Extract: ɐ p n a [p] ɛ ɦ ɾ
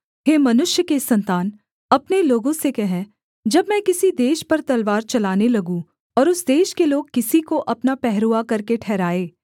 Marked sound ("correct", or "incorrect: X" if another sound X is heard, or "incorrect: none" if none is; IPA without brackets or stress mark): correct